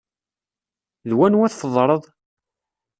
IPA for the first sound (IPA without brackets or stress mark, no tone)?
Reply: ð